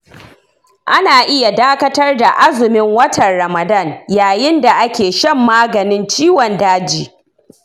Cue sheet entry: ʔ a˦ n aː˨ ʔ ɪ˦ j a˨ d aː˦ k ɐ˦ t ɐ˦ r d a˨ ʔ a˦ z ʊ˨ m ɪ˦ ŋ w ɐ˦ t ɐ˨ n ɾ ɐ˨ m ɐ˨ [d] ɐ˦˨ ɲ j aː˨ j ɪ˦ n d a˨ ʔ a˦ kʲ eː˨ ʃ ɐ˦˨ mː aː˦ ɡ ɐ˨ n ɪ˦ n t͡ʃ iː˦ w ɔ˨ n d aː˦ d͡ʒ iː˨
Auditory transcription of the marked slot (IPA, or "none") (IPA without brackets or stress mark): d